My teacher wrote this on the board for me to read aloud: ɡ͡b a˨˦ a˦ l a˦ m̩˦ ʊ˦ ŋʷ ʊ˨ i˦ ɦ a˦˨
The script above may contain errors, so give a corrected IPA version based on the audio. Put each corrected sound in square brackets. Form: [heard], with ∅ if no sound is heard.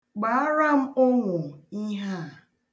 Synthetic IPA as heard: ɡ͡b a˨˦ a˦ [ɾ] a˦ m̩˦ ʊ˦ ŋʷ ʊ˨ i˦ ɦ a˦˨